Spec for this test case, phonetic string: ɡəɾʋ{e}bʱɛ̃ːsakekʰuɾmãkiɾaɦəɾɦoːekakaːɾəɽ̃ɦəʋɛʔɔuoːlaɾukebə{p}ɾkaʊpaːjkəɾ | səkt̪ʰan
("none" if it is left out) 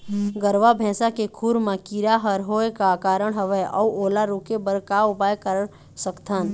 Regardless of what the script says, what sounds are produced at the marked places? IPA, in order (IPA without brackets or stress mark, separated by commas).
a, none